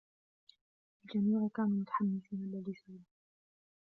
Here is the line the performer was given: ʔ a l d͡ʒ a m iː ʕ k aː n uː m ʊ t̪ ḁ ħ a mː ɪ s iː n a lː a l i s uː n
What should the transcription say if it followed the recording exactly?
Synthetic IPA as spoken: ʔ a l d͡ʒ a m iː ʕ k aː n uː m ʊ t̪ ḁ ħ a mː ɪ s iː n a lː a l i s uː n